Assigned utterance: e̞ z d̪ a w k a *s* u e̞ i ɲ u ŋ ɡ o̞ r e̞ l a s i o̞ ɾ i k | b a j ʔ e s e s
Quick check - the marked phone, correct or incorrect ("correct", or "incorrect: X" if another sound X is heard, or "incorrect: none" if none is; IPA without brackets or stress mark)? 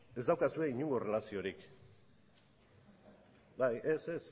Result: correct